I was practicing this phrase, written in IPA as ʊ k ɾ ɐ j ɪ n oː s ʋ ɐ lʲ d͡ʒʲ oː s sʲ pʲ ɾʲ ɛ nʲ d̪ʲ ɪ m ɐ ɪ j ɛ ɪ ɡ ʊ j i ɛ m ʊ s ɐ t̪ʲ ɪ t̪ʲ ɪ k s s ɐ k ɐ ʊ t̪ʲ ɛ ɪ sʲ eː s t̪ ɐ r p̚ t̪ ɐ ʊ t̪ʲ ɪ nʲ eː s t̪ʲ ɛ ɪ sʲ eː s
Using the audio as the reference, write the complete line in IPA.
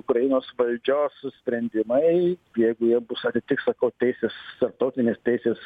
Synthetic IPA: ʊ k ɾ ɐ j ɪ n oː s ʋ ɐ lʲ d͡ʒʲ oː s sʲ pʲ ɾʲ ɛ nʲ d̪ʲ ɪ m ɐ ɪ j ɛ ɪ ɡ ʊ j i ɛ b ʊ s ɐ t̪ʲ ɪ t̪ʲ ɪ k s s ɐ k ɐ ʊ t̪ʲ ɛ ɪ sʲ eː s t̪ ɐ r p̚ t̪ ɐ ʊ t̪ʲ ɪ nʲ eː s t̪ʲ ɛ ɪ sʲ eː s

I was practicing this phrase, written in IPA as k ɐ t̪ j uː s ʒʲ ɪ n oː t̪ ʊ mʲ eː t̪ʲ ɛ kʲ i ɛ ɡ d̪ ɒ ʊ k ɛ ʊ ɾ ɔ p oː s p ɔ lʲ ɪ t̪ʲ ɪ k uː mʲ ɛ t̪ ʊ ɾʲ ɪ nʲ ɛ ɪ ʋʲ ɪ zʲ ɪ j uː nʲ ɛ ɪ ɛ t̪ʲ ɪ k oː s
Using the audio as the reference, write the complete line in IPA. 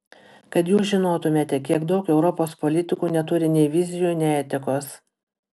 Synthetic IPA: k ɐ t̪ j uː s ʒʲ ɪ n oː t̪ ʊ mʲ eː t̪ʲ ɛ kʲ i ɛ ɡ d̪ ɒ ʊ k ɛ ʊ ɾ ɔ p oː s p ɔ lʲ ɪ t̪ʲ ɪ k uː nʲ ɛ t̪ ʊ ɾʲ ɪ nʲ ɛ ɪ ʋʲ ɪ zʲ ɪ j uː nʲ ɛ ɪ ɛ t̪ʲ ɪ k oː s

